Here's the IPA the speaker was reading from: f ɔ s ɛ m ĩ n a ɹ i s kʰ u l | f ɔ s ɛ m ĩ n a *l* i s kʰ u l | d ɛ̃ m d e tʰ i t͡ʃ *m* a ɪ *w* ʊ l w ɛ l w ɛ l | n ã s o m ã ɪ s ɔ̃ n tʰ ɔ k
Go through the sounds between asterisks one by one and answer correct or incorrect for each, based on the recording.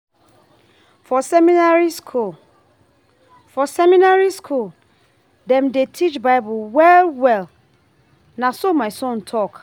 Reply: incorrect, incorrect, incorrect

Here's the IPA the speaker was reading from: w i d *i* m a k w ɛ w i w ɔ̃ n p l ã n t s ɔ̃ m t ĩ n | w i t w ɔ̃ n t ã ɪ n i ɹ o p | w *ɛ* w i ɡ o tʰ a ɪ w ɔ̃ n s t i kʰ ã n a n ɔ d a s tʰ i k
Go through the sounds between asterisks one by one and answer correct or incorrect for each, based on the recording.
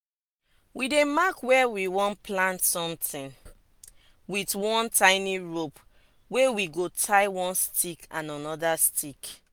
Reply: incorrect, incorrect

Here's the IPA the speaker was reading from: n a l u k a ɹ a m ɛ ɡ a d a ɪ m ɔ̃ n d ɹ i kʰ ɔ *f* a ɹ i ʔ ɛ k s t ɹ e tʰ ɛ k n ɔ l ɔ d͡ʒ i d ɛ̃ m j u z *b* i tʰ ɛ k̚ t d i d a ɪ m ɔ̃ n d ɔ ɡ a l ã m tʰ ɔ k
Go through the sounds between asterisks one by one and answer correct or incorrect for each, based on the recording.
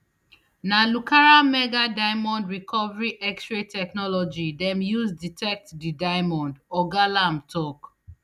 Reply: incorrect, incorrect

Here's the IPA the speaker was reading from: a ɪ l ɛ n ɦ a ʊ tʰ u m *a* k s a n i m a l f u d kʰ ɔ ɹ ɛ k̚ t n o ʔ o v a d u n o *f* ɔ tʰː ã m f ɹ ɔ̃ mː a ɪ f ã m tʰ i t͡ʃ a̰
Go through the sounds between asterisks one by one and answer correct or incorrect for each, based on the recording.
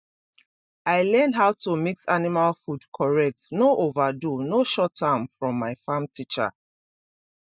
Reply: incorrect, incorrect

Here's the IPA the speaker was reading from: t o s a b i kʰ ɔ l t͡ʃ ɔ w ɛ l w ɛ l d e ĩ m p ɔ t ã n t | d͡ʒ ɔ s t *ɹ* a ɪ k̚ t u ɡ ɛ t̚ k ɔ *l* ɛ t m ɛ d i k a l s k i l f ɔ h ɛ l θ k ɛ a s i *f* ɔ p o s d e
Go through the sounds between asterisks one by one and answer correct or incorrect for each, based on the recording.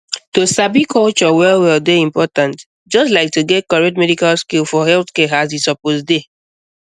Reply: incorrect, incorrect, incorrect

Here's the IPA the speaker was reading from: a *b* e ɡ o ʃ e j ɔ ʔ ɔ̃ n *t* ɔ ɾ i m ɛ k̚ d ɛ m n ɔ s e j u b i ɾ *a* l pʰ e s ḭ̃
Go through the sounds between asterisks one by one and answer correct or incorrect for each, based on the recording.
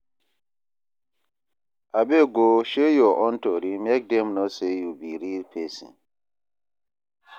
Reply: correct, correct, incorrect

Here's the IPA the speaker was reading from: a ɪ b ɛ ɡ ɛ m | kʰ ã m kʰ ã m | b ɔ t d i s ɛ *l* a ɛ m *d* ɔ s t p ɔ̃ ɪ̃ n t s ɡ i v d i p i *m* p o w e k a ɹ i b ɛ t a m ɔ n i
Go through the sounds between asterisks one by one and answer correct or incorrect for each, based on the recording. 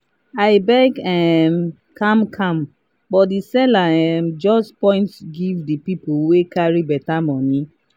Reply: correct, incorrect, incorrect

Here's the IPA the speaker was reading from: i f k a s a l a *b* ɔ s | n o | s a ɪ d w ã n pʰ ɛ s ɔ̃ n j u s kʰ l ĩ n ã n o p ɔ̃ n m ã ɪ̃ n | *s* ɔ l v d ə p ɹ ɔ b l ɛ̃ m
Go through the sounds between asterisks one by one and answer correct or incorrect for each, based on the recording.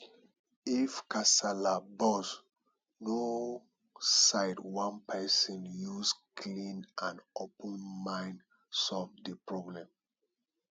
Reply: correct, correct

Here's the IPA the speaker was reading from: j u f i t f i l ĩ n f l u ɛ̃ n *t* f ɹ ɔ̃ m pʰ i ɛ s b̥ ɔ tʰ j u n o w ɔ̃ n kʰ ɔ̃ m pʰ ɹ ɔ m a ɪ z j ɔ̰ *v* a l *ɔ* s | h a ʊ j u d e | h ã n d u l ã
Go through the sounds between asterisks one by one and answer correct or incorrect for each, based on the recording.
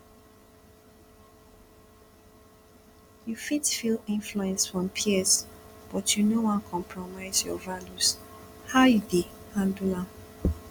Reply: incorrect, correct, incorrect

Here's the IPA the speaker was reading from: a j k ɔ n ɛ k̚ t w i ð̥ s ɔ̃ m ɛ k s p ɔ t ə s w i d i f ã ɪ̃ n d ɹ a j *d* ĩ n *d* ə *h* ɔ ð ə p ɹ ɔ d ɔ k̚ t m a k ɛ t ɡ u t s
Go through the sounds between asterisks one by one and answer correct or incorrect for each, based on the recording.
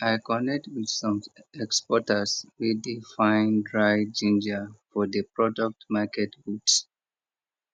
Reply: incorrect, incorrect, incorrect

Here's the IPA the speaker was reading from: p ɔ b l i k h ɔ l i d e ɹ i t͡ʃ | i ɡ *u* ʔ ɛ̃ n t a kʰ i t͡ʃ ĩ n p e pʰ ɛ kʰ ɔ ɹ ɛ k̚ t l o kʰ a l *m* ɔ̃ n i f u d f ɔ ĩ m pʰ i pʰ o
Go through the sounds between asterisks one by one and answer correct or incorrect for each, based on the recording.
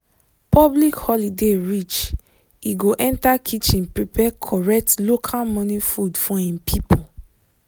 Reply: incorrect, correct

